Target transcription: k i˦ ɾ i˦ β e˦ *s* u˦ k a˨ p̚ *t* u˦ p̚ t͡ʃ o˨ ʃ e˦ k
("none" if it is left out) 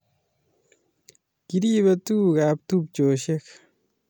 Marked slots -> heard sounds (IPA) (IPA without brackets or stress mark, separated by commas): t, t